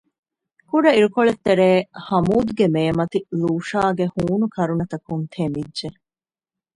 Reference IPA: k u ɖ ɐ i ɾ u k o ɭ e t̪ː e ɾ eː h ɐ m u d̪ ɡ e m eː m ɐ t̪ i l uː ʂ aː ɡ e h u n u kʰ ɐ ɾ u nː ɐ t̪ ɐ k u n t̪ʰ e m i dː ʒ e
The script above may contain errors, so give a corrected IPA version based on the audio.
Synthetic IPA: k u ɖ ɐ i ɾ u k o ɭ e t̪ː e ɾ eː h ɐ m uː d̪ ɡ e m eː m ɐ t̪ i l uː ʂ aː ɡ e h uː n u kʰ ɐ ɾ u n ɐ t̪ ɐ k u n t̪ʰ e m i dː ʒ e